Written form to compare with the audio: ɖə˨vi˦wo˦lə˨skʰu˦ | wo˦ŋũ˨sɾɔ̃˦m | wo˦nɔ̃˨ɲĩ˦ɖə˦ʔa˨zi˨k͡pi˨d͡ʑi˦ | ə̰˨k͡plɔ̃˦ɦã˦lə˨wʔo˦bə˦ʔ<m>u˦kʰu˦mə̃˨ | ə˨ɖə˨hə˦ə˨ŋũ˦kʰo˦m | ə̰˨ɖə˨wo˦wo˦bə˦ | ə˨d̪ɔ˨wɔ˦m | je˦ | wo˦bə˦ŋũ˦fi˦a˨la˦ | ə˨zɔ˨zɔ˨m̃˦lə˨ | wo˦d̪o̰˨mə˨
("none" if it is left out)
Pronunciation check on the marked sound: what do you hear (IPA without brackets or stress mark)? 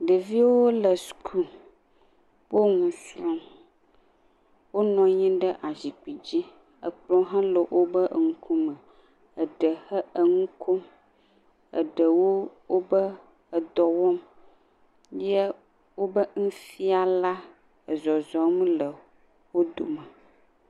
ŋ